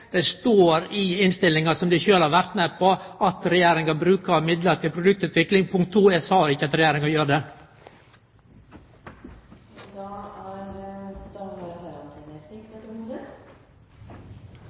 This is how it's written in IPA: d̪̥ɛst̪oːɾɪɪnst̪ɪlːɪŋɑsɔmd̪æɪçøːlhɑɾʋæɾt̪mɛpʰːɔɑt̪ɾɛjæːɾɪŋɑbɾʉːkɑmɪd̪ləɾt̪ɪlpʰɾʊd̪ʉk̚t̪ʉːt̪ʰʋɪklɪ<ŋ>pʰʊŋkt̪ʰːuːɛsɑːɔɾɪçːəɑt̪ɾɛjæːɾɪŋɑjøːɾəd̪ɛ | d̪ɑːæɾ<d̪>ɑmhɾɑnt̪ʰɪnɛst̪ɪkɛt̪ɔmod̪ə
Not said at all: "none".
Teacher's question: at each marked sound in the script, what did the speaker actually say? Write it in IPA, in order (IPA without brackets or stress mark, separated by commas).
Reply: ŋ, d̪